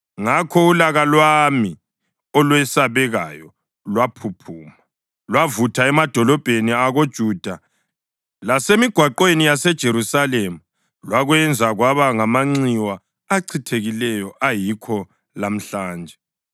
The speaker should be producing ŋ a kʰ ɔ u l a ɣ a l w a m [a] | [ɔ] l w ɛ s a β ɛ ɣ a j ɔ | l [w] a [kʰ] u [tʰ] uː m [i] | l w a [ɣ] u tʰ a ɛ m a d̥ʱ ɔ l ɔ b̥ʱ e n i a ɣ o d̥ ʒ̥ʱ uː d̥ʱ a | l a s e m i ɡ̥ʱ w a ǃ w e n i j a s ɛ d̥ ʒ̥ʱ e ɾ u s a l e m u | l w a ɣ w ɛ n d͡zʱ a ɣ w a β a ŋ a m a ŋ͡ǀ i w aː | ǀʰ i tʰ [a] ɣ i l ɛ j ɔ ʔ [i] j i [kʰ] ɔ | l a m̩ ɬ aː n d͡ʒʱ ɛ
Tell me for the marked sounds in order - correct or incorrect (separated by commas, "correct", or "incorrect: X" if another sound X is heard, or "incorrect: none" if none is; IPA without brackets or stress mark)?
incorrect: i, correct, correct, incorrect: pʰ, incorrect: pʰ, incorrect: a, incorrect: v, incorrect: e, incorrect: a, correct